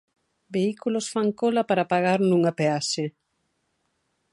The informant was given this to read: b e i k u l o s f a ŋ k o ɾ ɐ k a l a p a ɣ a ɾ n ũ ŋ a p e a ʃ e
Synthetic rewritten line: b e i k u l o s f a ŋ k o l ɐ p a ɾ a p a ɣ a ɾ n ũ ŋ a p e a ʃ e